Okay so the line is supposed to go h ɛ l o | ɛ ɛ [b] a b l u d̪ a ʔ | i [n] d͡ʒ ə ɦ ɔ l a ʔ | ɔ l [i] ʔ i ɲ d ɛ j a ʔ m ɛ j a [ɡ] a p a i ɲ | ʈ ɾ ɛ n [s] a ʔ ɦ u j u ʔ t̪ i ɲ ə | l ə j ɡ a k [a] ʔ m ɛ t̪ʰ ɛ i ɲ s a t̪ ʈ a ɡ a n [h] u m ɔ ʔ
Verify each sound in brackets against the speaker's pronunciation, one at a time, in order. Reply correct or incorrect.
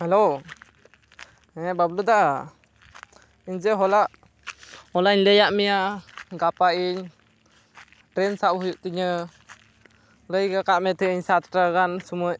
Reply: correct, incorrect, incorrect, correct, correct, correct, incorrect

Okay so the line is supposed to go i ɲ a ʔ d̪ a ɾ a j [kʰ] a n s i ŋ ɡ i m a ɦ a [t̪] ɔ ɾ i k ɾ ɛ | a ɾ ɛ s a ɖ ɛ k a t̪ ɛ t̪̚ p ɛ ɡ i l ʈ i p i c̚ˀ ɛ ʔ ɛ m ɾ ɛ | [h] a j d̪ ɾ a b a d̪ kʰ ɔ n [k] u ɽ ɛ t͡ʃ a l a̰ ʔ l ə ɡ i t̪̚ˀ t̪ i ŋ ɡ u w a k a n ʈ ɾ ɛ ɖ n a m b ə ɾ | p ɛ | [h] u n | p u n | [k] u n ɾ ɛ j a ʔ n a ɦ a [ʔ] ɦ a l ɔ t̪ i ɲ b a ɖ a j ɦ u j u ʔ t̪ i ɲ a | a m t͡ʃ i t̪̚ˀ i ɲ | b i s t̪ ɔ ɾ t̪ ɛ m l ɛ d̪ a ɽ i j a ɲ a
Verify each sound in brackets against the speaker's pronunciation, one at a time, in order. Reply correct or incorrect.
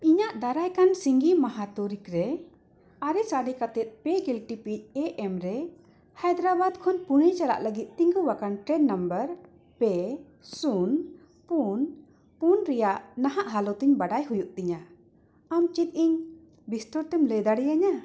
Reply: incorrect, correct, correct, incorrect, incorrect, incorrect, correct

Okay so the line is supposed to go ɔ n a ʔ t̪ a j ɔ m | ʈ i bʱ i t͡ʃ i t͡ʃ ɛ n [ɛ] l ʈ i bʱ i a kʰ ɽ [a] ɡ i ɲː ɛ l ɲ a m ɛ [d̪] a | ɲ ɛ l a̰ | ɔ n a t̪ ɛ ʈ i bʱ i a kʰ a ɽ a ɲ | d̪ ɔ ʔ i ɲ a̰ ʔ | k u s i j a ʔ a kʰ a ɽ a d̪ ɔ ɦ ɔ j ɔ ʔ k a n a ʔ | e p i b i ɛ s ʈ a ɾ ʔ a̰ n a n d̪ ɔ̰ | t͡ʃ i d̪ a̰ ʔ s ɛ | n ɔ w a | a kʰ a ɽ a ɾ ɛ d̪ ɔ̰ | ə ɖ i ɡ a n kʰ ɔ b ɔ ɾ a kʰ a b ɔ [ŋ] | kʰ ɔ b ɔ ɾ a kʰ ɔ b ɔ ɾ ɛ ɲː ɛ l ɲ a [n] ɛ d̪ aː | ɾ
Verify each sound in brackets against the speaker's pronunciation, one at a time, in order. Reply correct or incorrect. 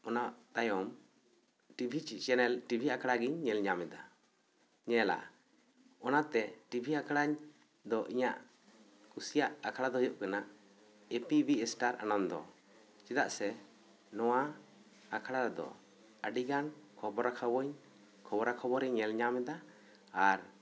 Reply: correct, correct, correct, incorrect, incorrect

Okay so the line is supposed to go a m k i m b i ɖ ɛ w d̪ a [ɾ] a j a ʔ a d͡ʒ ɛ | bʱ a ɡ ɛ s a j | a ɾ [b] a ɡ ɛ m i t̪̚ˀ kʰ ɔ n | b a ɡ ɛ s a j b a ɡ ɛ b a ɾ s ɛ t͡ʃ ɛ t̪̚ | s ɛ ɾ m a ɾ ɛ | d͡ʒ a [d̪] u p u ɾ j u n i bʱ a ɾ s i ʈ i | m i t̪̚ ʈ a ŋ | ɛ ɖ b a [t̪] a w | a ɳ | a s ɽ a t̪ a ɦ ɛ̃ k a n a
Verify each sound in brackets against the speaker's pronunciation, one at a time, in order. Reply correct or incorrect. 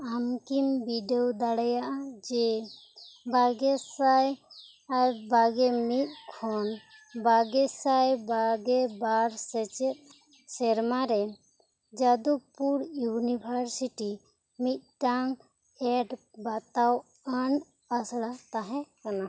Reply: incorrect, correct, correct, correct

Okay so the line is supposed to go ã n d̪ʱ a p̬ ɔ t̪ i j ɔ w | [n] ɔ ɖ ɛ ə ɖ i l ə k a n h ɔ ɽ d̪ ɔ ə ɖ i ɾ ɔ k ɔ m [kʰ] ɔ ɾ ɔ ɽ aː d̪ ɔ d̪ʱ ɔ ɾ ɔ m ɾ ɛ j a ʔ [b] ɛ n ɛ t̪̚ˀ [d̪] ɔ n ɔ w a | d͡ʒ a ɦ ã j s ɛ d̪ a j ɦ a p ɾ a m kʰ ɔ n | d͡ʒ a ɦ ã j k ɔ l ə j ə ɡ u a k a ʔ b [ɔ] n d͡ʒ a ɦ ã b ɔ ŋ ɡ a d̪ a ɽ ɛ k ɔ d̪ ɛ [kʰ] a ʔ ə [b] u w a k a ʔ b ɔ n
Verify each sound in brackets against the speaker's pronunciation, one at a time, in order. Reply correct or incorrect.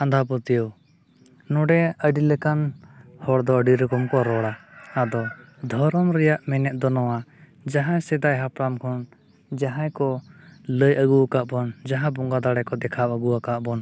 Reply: correct, incorrect, incorrect, correct, correct, correct, incorrect

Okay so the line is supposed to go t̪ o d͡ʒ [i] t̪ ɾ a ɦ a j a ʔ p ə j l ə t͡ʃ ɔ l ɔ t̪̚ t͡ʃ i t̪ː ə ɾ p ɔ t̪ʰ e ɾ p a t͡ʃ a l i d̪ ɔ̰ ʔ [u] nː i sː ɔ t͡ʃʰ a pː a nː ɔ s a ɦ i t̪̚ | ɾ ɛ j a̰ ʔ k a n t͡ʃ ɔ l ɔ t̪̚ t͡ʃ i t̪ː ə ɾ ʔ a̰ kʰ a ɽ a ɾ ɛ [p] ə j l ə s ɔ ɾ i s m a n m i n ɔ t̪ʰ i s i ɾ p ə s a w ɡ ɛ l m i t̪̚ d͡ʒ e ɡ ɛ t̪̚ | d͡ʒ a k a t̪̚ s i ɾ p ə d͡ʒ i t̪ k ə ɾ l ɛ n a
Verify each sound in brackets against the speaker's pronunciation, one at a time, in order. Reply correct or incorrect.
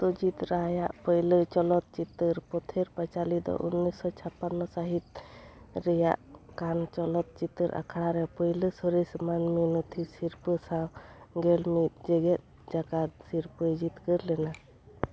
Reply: correct, correct, correct

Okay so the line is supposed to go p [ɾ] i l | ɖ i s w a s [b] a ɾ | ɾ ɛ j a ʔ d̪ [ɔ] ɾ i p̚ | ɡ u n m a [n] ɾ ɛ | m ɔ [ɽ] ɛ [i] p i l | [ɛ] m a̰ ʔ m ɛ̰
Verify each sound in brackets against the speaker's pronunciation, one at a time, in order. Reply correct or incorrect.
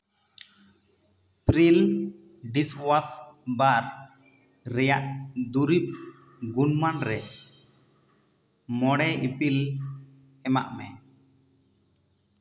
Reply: correct, correct, incorrect, correct, correct, correct, correct

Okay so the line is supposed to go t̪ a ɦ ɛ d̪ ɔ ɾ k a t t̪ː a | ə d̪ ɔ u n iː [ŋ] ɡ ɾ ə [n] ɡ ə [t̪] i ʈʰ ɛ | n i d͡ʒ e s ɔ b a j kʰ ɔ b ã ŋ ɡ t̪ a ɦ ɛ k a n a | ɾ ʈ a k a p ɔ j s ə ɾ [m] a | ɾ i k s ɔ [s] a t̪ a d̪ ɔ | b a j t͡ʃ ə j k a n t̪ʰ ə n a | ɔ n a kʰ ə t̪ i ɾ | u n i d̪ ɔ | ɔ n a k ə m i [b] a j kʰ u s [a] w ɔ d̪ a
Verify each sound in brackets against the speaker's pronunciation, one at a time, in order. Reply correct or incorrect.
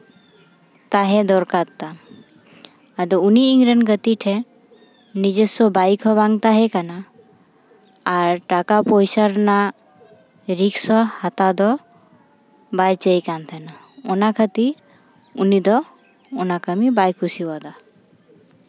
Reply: correct, correct, correct, incorrect, incorrect, correct, incorrect

